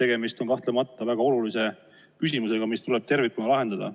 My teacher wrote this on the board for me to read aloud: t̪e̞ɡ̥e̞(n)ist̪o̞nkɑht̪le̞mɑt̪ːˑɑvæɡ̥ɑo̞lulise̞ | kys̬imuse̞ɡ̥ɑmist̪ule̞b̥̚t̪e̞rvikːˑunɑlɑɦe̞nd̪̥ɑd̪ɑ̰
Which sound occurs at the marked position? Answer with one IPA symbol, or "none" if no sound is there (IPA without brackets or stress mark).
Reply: m